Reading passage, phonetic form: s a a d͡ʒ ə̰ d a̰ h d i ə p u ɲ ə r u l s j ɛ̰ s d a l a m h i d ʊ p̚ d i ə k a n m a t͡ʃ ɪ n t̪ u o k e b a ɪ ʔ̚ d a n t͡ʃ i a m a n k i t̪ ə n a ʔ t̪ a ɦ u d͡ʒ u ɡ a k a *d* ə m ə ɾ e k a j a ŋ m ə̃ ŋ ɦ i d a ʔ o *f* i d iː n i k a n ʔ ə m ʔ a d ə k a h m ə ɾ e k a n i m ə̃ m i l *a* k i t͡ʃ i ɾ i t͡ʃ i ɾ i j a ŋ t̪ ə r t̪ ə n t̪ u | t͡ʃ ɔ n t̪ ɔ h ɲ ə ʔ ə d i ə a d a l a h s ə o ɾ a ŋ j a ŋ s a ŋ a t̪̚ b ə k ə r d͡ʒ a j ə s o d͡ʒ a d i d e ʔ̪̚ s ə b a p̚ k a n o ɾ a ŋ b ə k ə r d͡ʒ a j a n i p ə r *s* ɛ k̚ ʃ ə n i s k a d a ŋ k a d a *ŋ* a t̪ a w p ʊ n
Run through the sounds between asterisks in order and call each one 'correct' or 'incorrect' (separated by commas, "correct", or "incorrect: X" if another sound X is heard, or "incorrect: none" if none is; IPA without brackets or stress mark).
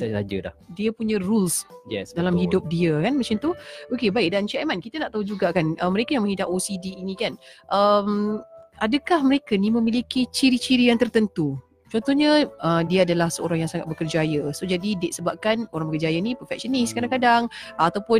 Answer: incorrect: n, incorrect: s, incorrect: i, incorrect: f, correct